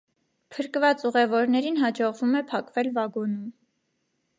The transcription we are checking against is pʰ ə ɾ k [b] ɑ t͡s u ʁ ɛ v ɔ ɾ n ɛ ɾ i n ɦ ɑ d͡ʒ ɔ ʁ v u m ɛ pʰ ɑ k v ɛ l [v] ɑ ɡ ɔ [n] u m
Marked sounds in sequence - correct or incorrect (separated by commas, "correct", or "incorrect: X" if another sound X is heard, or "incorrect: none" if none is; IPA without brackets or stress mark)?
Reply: incorrect: v, correct, correct